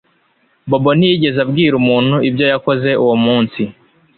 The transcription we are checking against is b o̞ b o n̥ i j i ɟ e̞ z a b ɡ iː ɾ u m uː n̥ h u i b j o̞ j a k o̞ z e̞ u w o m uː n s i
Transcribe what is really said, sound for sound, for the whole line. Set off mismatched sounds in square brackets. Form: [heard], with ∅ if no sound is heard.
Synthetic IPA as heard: b o̞ b o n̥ i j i ɟ e̞ z a b ɡ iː ɾ u m uː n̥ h u i b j o̞ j a k o̞ z e̞ u w o m uː n s i